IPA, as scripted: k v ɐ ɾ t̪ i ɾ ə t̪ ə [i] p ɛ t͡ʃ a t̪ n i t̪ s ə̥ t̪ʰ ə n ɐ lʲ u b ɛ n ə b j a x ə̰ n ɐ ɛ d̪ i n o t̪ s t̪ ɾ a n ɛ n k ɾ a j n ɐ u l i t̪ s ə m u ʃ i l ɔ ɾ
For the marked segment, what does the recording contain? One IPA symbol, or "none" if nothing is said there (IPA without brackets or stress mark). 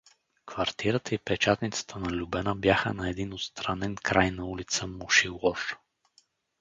i